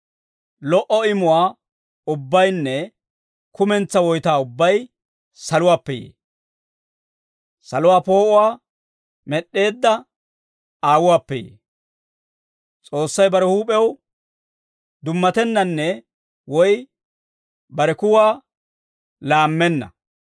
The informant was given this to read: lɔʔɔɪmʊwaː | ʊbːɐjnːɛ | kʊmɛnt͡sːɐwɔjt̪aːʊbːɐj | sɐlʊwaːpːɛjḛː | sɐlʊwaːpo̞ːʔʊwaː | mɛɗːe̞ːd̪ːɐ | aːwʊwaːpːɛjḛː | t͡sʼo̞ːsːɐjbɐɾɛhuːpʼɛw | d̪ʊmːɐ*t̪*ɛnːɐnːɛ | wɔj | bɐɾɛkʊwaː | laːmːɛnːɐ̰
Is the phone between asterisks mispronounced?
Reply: no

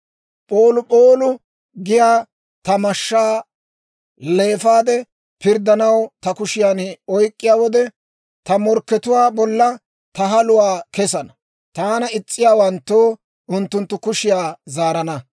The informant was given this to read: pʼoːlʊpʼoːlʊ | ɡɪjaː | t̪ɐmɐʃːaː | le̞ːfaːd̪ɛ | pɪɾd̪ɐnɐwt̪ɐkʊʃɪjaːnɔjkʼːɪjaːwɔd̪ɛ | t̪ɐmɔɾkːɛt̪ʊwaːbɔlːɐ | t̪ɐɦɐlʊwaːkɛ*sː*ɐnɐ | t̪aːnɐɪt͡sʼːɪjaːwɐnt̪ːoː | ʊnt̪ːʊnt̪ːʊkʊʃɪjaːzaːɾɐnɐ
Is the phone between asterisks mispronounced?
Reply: yes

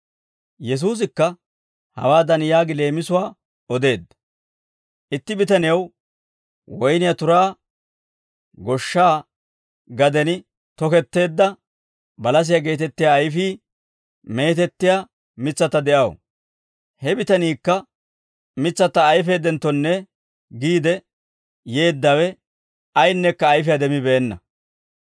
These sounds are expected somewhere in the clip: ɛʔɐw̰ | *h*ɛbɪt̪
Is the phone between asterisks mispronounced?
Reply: no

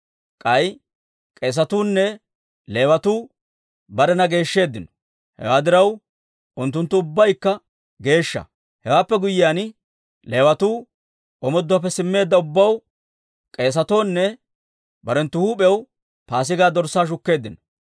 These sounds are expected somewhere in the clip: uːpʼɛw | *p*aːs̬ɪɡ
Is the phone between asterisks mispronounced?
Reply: no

